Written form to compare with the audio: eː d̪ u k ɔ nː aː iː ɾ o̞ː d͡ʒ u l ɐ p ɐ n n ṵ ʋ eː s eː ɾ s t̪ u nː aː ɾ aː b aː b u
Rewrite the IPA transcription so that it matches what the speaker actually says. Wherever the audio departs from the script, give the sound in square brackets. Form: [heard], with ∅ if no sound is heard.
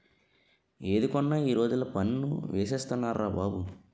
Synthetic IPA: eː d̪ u k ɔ nː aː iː ɾ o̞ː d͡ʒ u l ɐ p ɐ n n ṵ ʋ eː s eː [∅] s t̪ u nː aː ɾ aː b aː b u